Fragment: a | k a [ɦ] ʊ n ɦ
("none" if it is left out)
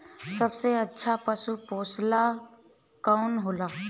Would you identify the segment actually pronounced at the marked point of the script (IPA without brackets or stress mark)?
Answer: none